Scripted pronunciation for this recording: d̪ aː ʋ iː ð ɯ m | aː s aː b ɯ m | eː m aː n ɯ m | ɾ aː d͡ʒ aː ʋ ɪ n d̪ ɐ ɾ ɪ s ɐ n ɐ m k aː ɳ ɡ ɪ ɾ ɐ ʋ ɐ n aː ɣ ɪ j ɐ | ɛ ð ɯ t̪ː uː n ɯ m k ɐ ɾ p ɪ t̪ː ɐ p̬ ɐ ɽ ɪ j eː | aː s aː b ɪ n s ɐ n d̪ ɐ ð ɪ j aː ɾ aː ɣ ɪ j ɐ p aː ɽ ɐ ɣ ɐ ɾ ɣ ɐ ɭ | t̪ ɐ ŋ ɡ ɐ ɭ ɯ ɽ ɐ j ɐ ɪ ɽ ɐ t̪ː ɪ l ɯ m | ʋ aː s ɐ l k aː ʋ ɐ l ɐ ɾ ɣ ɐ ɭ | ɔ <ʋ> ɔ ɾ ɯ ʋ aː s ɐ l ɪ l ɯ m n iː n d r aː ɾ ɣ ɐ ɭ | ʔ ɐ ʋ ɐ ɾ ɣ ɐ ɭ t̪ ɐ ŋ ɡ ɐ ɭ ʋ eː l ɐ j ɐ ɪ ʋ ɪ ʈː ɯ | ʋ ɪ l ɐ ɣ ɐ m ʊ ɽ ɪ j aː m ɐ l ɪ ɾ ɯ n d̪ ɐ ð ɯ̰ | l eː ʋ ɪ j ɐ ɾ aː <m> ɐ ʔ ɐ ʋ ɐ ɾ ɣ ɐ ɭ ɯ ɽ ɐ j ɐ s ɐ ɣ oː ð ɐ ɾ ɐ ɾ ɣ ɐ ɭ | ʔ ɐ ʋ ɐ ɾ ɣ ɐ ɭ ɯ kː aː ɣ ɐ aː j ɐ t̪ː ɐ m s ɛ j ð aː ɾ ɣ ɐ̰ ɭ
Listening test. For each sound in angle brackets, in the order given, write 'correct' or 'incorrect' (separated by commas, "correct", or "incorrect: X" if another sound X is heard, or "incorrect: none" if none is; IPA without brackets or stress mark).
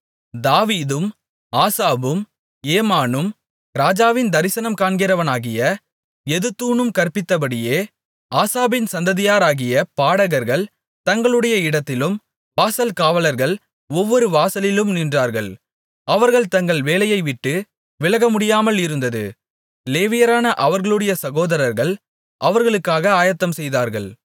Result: incorrect: ʋː, incorrect: n